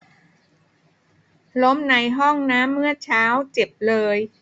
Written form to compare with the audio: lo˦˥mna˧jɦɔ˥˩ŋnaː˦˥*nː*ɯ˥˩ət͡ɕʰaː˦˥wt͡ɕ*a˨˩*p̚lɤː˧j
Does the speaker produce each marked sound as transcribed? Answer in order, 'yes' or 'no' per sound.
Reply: no, no

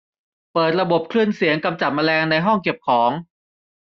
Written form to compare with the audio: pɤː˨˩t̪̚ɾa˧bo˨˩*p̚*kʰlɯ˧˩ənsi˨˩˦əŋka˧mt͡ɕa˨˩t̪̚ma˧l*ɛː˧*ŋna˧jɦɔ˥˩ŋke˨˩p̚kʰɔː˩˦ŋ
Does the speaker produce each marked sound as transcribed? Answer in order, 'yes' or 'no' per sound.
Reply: yes, yes

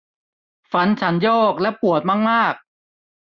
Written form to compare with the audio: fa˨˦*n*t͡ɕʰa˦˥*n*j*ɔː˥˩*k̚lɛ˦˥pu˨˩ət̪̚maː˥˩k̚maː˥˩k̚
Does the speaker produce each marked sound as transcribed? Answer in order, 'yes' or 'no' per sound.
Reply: yes, yes, yes

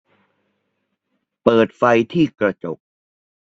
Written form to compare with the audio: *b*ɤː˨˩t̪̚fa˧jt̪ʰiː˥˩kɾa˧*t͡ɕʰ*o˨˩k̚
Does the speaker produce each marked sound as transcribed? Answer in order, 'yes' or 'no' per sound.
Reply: no, no

